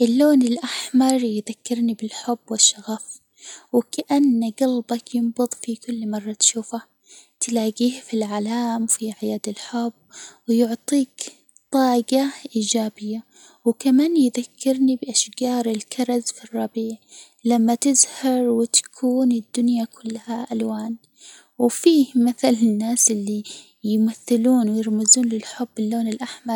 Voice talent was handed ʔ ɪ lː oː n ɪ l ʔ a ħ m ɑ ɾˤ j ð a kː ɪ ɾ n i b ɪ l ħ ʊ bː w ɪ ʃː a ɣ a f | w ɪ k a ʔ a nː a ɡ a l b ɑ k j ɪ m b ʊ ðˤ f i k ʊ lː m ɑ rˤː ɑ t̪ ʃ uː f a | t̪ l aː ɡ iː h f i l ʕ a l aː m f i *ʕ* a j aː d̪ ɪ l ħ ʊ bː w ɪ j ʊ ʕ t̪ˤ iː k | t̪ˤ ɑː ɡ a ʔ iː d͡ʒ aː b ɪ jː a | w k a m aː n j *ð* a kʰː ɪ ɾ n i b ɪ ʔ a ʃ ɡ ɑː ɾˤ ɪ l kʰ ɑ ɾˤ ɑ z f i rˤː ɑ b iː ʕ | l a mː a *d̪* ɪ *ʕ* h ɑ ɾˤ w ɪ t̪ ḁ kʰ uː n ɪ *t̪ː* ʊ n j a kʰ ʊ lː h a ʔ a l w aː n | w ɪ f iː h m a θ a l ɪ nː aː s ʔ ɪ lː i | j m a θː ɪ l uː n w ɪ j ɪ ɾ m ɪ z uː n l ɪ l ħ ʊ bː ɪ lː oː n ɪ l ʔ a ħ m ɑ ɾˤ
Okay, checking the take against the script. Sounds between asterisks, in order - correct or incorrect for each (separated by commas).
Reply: correct, correct, incorrect, incorrect, incorrect